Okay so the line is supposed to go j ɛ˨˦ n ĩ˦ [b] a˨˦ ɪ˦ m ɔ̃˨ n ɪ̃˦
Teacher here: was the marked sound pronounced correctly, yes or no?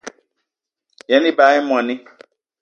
yes